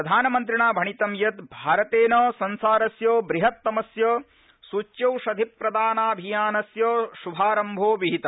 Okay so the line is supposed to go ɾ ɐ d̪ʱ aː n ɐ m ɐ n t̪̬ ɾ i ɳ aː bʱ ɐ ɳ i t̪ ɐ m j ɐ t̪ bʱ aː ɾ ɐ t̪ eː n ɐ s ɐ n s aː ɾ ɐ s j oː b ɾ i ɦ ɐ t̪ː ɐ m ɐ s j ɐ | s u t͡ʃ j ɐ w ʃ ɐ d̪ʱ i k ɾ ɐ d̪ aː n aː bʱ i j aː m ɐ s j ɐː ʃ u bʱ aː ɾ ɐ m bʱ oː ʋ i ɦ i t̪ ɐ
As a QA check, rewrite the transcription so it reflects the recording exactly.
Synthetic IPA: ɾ ɐ d̪ʱ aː n ɐ m ɐ n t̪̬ ɾ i ɳ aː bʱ ɐ ɳ i t̪ ɐ m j ɐ t̪ bʱ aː ɾ ɐ t̪ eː n ɐ s ɐ n s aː ɾ ɐ s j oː b ɾ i ɦ ɐ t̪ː ɐ m ɐ s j ɐ | s u t͡ʃ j ɐ w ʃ ɐ d̪ʱ i p ɾ ɐ d̪ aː n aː bʱ i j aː n ɐ s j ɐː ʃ u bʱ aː ɾ ɐ m bʱ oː ʋ i ɦ i t̪ ɐ

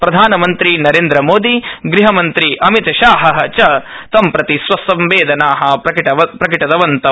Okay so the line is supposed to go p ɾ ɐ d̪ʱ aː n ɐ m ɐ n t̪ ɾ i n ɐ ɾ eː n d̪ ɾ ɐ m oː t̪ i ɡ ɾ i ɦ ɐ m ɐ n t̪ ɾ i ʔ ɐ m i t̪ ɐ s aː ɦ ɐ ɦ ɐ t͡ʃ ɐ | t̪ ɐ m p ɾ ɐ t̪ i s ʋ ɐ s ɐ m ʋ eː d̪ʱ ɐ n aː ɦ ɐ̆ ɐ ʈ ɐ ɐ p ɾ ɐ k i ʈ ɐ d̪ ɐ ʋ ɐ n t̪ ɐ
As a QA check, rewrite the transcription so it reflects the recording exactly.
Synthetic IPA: p ɾ ɐ d̪ʱ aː n ɐ m ɐ n t̪ ɾ i n ɐ ɾ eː n d̪ ɾ ɐ m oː d̪ i ɡ ɾ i ɦ ɐ m ɐ n t̪ ɾ i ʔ ɐ m i t̪ ɐ ʃ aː ɦ ɐ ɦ ɐ t͡ʃ ɐ | t̪ ɐ m p ɾ ɐ t̪ i s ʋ ɐ s ɐ m ʋ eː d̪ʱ ɐ n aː ɦ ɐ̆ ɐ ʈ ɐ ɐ p ɾ ɐ k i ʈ ɐ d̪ ɐ ʋ ɐ n t̪ ɐ

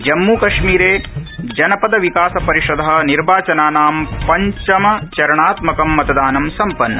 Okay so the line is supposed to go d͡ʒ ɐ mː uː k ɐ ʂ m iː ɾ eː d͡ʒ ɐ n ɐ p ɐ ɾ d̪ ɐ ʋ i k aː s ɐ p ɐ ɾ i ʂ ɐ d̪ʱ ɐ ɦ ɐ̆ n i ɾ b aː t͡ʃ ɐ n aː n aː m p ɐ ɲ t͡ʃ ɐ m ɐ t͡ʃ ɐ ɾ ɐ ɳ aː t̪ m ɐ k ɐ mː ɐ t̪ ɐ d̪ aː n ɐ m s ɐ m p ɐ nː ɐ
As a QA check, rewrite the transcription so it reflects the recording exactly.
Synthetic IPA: d͡ʒ ɐ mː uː k ɐ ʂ m iː ɾ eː d͡ʒ ɐ n ɐ p ɐ d̪ ɐ ʋ i k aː s ɐ p ɐ ɾ i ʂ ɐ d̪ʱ ɐ ɦ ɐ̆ n i ɾ b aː t͡ʃ ɐ n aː n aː m p ɐ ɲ t͡ʃ ɐ m ɐ t͡ʃ ɐ ɾ ɐ ɳ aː t̪ m ɐ k ɐ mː ɐ t̪ ɐ d̪ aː n ɐ m s ɐ m p ɐ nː ɐ

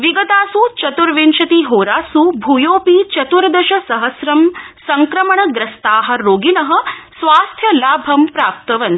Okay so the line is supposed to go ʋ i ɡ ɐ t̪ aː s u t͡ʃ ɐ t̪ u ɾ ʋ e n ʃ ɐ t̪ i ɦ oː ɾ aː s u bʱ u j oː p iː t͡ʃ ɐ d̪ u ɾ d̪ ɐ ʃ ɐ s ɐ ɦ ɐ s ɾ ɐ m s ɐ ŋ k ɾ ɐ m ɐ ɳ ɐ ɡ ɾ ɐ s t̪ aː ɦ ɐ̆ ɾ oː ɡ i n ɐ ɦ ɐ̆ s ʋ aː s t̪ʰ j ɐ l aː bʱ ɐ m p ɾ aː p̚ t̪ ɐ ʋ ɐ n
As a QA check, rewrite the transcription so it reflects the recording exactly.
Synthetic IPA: ʋ i ɡ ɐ t̪ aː s u t͡ʃ ɐ t̪ u ɾ ʋ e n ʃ ɐ t̪ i ɦ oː ɾ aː s u bʱ u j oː p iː t͡ʃ ɐ t̪ u ɾ d̪ ɐ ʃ ɐ s ɐ ɦ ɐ s ɾ ɐ m s ɐ ŋ k ɾ ɐ m ɐ ɳ ɐ ɡ ɾ ɐ s t̪ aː ɦ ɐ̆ ɾ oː ɡ i n ɐ ɦ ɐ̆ s ʋ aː s t̪ʰ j ɐ l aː bʱ ɐ m p ɾ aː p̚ t̪ ɐ ʋ ɐ n

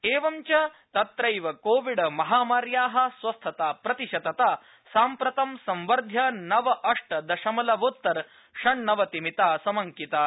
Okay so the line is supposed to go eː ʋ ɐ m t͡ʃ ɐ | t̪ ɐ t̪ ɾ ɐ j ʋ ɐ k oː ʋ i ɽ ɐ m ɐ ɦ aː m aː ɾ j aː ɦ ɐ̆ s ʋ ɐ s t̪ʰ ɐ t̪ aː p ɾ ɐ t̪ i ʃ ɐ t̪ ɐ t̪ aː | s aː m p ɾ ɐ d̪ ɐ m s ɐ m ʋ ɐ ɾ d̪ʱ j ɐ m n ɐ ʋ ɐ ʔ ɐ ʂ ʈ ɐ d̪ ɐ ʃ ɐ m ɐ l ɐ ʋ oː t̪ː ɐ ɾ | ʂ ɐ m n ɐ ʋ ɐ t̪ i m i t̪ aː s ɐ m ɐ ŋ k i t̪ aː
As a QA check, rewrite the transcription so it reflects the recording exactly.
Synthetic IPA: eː ʋ ɐ m t͡ʃ ɐ | t̪ ɐ t̪ ɾ ɐ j ʋ ɐ k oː ʋ i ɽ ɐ m ɐ ɦ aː m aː ɾ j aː ɦ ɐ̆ s ʋ ɐ s t̪ʰ ɐ t̪ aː p ɾ ɐ t̪ i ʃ ɐ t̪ ɐ t̪ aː | s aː m p ɾ ɐ t̪ ɐ m s ɐ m ʋ ɐ ɾ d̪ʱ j ɐ n ɐ ʋ ɐ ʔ ɐ ʂ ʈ ɐ d̪ ɐ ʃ ɐ m ɐ l ɐ ʋ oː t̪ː ɐ ɾ | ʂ ɐ ɳ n ɐ ʋ ɐ t̪ i m i t̪ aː s ɐ m ɐ ŋ k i t̪ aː

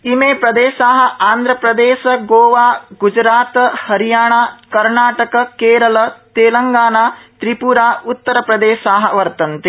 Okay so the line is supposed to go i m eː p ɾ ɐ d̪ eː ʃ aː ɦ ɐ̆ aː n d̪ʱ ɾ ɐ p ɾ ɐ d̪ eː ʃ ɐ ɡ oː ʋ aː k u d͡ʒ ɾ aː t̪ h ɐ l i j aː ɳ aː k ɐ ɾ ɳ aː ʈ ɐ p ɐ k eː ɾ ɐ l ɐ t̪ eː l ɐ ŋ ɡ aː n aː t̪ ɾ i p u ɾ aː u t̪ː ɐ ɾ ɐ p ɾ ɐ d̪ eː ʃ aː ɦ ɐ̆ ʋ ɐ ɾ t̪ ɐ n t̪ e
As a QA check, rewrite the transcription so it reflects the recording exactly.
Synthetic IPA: i m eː p ɾ ɐ d̪ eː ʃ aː ɦ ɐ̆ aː n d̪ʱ ɾ ɐ p ɾ ɐ d̪ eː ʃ ɐ ɡ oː ʋ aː ɡ u d͡ʒ ɾ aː t̪ h ɐ ɾ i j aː ɳ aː k ɐ ɾ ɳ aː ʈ ɐ k ɐ k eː ɾ ɐ l ɐ t̪ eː l ɐ ŋ ɡ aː n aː t̪ ɾ i p u ɾ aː u t̪ː ɐ ɾ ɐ p ɾ ɐ d̪ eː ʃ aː ɦ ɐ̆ ʋ ɐ ɾ t̪ ɐ n t̪ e

